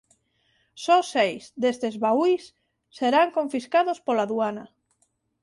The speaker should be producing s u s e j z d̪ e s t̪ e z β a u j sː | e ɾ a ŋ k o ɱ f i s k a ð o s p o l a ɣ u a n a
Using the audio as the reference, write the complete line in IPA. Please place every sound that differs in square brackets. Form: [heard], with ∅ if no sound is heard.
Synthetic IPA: s [ɔ] s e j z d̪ e s t̪ e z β a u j sː | e ɾ a ŋ k o ɱ f i s k a ð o s p o l a [ð] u a n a